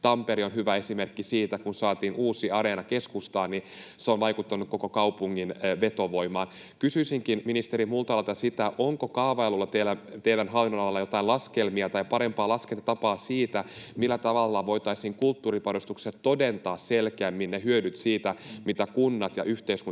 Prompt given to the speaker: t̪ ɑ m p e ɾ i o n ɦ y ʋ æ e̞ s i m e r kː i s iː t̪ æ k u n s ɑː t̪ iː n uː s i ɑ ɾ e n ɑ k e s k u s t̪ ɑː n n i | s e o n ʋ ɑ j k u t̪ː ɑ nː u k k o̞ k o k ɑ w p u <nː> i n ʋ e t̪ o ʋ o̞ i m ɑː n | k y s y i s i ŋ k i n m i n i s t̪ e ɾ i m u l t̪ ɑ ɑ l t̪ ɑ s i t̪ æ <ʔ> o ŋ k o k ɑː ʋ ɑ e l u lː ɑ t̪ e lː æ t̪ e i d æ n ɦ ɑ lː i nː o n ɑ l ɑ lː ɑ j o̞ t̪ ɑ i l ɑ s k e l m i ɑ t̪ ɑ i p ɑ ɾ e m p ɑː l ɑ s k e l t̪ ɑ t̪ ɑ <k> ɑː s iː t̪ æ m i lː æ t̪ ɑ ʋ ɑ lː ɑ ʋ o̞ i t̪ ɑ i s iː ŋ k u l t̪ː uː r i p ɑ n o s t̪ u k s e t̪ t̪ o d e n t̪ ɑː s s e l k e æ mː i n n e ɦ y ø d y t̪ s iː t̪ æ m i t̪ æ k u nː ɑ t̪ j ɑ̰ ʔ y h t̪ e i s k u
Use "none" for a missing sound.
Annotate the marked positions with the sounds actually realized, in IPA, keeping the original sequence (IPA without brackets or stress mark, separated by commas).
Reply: ŋː, ʔ, p